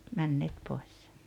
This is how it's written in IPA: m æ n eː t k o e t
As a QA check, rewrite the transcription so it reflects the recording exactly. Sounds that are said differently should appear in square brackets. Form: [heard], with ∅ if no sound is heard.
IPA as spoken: m æ [nː] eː t [p] o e [s]

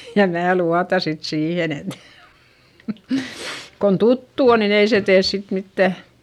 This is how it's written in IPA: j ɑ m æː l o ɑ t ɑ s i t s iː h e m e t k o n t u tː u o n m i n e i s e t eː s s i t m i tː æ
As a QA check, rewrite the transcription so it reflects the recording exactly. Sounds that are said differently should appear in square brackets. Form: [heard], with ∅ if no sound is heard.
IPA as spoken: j ɑ m æː l [u] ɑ t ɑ s i t s iː h e [n] e t k o n t u tː u o n [n] i n e i s e t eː s s i t m i tː æ

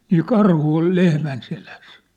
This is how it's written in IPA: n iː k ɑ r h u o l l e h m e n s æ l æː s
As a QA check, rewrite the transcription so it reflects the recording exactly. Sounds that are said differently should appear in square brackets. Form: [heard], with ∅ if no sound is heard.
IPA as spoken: n iː k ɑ r h u o l l e h m [æ] n s [e] l [æ] s

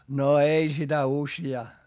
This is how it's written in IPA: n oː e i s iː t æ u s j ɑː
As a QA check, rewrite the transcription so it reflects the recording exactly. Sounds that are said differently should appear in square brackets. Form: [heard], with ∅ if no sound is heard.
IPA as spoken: n [o] e i s [i] t æ u s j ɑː

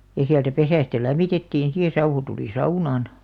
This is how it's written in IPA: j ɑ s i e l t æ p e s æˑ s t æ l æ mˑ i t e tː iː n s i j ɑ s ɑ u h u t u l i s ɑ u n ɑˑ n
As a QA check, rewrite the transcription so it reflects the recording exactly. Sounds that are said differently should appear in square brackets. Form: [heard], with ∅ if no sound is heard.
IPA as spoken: j ɑ s i [æ] l t æ p e s æˑ s t æ l æ mˑ i t e tː iː n s i j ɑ s ɑ u h u t u l i s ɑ u n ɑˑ n

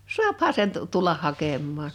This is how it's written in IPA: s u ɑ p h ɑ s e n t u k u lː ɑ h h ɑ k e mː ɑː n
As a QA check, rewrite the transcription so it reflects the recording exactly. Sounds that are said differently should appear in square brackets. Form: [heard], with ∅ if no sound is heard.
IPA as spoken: s u ɑ p h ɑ s e n t u [t] u lː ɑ h h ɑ k e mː ɑː n

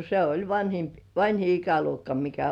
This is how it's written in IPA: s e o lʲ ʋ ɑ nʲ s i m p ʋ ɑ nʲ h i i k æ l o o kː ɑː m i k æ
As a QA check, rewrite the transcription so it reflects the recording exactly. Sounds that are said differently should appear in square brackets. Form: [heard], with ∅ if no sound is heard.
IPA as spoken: s e o lʲ ʋ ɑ nʲ [h] i m p ʋ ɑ nʲ h i i k æ l [u] o kː [ɑ] m i k æ

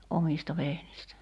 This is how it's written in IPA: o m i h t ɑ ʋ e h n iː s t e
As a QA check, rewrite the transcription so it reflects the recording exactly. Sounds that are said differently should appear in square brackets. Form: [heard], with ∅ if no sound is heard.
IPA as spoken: o m i [s] t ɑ ʋ e h n [i] s t [æ]

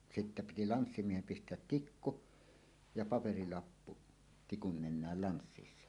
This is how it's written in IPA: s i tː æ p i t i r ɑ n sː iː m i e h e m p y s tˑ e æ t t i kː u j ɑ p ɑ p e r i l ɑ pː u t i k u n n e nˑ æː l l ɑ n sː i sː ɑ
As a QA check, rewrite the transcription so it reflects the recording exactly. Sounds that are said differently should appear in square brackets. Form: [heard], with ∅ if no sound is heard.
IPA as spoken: s i tː æ p i t i [l] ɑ n sː [i] m i e h e m p [i] s tˑ e æ t t i kː u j ɑ p ɑ p e r i l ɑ pː u t i k u n n e nˑ æː l l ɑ n sː i sː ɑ

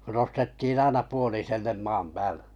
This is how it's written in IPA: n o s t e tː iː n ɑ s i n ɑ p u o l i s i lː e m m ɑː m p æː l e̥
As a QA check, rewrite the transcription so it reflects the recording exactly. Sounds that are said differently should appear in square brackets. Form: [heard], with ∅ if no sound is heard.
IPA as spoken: n o s t e tː iː n ɑ [∅] i n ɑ p u o l i s [e] lː e m m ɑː m p æː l e̥

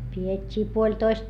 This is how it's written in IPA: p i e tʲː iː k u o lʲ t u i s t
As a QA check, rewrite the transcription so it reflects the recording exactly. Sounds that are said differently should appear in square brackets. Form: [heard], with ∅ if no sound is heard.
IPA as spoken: p i e tʲː iː [p] u o lʲ t [o] i s t

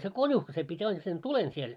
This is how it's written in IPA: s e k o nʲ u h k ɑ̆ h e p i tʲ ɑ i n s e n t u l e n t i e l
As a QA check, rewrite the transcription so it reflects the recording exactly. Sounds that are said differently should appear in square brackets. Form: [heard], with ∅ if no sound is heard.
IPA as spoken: s e k o nʲ u h k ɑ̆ [s] e p i tʲ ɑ i n s e n t u l e n [s] i e l

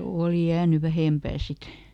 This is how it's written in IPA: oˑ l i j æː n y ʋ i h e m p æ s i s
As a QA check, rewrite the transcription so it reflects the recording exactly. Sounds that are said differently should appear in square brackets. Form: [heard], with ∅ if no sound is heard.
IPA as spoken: oˑ l i j æː n y ʋ [æ] h e m p [æː] s i [t]

